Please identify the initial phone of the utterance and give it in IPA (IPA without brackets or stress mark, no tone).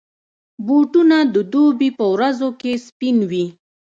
b